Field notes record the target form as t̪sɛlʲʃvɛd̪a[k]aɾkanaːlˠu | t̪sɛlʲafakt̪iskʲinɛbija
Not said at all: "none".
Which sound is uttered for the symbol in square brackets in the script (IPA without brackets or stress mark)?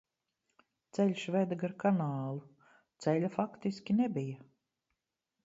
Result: ɡ